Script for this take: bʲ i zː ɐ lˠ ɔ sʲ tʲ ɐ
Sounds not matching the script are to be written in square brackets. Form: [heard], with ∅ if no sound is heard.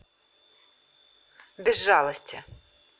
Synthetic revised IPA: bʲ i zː [ɑ] lˠ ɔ sʲ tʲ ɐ